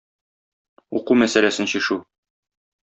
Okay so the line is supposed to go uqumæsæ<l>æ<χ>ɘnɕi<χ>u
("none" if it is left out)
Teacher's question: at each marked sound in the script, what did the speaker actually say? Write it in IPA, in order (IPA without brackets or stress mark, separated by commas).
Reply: l, s, ʃ